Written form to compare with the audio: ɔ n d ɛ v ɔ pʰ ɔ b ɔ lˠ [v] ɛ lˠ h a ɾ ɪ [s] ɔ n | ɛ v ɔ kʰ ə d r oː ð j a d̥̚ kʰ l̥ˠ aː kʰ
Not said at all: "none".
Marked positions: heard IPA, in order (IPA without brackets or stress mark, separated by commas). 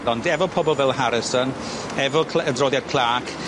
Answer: v, s